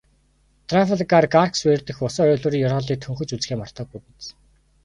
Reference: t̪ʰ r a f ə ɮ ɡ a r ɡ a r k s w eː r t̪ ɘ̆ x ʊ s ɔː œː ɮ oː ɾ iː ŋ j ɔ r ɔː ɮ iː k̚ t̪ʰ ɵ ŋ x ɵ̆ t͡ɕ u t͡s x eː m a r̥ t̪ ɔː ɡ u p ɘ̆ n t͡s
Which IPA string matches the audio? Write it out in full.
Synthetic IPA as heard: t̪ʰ r a f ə ɮ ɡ a r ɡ a r k s w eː r t̪ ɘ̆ x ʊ s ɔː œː ɮ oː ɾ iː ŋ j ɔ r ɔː ɮ iː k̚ t̪ʰ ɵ ŋ x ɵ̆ t͡ɕ u t͡s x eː m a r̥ t̪ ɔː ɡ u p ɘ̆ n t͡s